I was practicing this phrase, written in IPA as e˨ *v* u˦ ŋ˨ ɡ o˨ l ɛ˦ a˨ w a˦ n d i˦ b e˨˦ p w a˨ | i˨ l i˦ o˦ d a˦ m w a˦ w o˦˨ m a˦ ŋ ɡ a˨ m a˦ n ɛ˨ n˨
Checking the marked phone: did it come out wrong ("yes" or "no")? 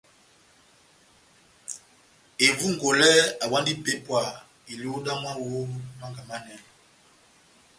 no